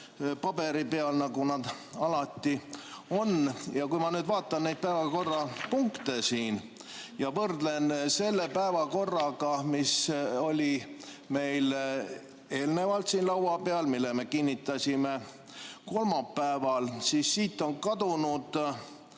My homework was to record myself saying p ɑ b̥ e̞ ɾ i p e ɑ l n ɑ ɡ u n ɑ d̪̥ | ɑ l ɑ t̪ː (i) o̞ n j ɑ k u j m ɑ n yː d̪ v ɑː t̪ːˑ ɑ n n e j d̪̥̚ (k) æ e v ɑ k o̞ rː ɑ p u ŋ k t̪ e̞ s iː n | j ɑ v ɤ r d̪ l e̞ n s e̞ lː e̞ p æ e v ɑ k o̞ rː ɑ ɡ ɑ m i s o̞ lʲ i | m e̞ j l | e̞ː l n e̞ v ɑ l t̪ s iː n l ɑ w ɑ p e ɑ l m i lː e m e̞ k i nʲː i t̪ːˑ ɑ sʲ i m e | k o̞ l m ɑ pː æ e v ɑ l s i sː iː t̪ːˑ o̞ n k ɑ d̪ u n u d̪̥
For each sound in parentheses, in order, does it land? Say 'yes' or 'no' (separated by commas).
yes, no